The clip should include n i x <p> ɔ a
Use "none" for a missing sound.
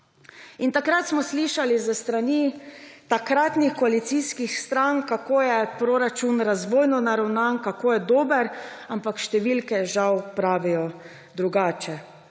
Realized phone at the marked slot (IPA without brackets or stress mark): k